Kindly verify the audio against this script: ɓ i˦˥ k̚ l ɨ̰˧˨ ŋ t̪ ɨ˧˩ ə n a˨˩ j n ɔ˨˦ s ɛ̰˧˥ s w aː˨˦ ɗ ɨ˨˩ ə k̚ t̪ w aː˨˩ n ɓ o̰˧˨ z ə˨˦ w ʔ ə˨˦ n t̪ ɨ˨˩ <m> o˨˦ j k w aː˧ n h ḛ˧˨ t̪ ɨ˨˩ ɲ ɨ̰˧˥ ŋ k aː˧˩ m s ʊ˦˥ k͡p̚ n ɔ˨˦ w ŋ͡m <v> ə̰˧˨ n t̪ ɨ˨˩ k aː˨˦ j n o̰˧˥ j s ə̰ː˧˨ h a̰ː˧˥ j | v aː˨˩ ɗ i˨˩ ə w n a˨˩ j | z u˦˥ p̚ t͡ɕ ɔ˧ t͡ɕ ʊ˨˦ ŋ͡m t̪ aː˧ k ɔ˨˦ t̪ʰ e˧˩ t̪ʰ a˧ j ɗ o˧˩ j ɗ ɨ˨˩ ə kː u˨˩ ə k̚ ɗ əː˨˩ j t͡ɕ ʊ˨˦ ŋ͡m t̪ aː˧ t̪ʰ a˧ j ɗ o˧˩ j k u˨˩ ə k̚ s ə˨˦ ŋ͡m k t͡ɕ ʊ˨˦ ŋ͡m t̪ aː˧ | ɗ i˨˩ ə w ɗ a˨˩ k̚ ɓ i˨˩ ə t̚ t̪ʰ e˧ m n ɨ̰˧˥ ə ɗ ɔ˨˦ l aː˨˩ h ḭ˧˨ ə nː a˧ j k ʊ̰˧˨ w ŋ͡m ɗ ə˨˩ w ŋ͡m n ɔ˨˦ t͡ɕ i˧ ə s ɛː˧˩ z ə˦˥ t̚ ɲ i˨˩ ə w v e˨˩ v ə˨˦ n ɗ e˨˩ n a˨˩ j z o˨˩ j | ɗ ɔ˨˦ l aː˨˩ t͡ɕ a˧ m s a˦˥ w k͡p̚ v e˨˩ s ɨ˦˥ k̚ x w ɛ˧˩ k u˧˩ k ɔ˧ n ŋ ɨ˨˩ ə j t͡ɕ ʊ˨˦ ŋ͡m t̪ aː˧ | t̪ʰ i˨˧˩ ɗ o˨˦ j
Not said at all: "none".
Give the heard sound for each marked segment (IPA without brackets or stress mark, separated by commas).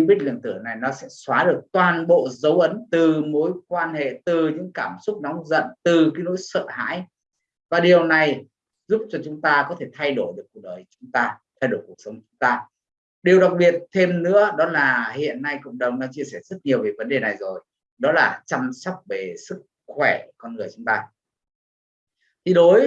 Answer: m, z